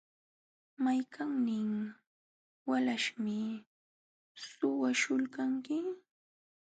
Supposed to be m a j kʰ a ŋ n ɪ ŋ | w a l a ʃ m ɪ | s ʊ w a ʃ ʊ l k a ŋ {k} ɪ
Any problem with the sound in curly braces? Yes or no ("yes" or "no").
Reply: no